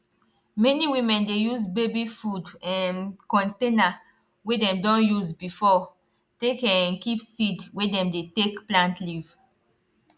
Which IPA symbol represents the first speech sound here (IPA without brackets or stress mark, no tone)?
m